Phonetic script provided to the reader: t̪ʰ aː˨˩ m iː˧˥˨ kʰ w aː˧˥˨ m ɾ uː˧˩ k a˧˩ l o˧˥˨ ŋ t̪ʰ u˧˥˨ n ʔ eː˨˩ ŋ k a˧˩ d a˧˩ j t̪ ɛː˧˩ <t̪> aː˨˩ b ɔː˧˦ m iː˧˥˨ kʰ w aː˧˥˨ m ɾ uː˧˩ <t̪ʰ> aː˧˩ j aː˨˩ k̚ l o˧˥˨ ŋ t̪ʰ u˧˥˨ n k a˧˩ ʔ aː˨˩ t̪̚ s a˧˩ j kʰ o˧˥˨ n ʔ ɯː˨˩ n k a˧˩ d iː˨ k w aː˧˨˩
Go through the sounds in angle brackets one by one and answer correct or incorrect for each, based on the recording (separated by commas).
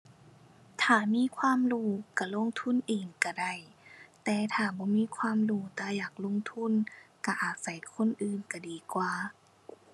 incorrect, incorrect